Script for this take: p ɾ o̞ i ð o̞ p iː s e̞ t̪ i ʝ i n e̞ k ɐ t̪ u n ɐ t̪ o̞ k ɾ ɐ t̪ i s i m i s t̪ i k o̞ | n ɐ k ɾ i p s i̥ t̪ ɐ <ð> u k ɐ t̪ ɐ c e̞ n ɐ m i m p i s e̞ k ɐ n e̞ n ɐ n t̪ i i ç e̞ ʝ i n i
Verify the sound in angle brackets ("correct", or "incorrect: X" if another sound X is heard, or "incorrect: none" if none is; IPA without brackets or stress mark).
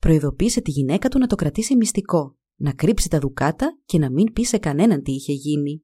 correct